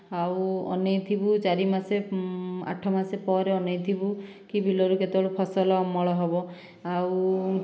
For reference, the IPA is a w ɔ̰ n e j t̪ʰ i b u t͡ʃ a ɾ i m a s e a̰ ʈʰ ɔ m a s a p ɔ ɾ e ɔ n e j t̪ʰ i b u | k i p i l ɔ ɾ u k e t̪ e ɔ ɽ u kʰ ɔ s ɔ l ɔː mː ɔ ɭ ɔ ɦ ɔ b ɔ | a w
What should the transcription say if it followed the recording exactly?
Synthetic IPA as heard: a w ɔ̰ n e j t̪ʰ i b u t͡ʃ a ɾ i m a s e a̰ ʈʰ ɔ m a s e p ɔ ɾ e ɔ n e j t̪ʰ i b u | k i b i l ɔ ɾ u k e t̪ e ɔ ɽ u pʰ ɔ s ɔ l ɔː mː ɔ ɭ ɔ ɦ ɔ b ɔ | a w

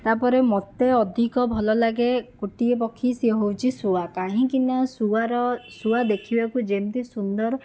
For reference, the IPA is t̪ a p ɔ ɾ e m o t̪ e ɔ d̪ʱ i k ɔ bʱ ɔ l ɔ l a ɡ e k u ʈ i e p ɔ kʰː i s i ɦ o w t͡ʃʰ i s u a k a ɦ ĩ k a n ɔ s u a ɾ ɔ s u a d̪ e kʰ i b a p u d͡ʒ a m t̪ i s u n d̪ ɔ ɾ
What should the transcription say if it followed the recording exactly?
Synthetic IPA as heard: t̪ a p ɔ ɾ e m ɔ t̪ e ɔ d̪ʱ i k ɔ bʱ ɔ l ɔ l a ɡ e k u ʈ i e p ɔ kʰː i s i ɦ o w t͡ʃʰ i s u a k a ɦ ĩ k i n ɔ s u a ɾ ɔ s u a d̪ e kʰ i b a k u d͡ʒ e m t̪ i s u n d̪ ɔ ɾ

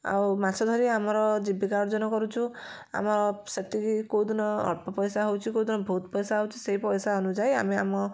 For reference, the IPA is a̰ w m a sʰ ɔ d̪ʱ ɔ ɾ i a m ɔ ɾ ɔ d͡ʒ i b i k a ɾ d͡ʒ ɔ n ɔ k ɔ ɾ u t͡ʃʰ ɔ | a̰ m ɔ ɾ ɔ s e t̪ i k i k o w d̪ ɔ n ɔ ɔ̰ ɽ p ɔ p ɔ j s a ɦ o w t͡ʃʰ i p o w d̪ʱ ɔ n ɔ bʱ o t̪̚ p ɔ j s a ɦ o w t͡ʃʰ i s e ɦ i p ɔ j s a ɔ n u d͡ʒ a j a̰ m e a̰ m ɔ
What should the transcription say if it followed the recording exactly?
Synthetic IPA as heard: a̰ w m a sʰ ɔ d̪ʱ ɔ ɾ i a m ɔ ɾ ɔ d͡ʒ i b i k a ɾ d͡ʒ ɔ n ɔ k ɔ ɾ u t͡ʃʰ u | a̰ m ɔ ɾ ɔ s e t̪ i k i k o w d̪ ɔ n ɔ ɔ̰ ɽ p ɔ p ɔ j s a ɦ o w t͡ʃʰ i k o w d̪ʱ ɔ n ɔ bʱ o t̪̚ p ɔ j s a ɦ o w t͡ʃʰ i s e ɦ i p ɔ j s a ɔ n u d͡ʒ a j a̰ m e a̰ m ɔ

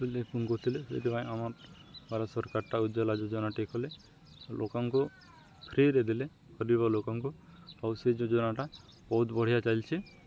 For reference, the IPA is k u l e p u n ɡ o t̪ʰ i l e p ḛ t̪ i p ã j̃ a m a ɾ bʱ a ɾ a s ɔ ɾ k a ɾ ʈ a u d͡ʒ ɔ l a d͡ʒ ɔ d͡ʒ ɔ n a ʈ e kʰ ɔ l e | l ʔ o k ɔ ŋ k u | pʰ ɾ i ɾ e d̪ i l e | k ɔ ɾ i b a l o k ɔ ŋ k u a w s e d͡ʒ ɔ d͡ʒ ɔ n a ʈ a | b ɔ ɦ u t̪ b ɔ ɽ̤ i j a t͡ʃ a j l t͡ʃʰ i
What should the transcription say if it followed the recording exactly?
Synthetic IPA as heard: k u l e p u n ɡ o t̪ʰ i l e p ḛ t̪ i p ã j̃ a m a ɾ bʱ a ɾ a s ɔ ɾ k a ɾ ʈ a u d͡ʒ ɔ l a d͡ʒ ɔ d͡ʒ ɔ n a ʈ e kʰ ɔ l e | l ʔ o k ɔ ŋ k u | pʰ ɾ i ɾ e d̪ i l e | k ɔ ɾ i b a l o k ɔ ŋ k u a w s e d͡ʒ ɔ d͡ʒ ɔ n a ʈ a | b ɔ ɦ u t̪ b ɔ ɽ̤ i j a t͡ʃ a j l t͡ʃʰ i

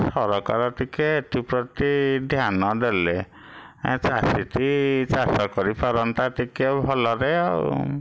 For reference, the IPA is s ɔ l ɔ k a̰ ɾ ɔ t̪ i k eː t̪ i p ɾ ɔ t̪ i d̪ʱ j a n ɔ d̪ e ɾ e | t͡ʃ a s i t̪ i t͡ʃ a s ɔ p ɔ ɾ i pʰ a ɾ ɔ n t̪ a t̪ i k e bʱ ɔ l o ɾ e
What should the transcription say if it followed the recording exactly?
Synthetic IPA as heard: s ɔ ɾ ɔ k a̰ ɾ ɔ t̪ i k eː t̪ i p ɾ ɔ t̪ i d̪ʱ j a n ɔ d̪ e l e | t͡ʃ a s i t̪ i t͡ʃ a s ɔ k ɔ ɾ i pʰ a ɾ ɔ n t̪ a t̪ i k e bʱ ɔ l ɔ ɾ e

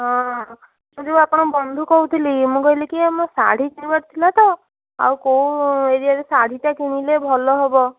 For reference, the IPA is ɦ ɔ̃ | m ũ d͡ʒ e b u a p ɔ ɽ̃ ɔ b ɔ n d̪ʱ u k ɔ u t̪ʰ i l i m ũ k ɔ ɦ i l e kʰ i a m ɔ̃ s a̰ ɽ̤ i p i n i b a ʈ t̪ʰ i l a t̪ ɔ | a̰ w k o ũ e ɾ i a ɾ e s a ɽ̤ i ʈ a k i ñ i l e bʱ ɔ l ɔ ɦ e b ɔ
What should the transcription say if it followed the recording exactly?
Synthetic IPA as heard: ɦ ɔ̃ | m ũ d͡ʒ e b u a p ɔ ɽ̃ ɔ b ɔ n d̪ʱ u k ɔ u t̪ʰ i l i m ũ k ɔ ɦ i l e k i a m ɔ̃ s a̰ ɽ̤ i k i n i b a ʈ t̪ʰ i l a t̪ ɔ | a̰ w k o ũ e ɾ i a ɾ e s a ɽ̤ i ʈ a k i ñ i l e bʱ ɔ l ɔ ɦ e b ɔ

